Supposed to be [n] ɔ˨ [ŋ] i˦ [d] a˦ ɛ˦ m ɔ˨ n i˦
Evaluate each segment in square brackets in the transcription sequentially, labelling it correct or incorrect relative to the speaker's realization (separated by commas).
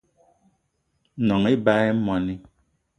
correct, correct, incorrect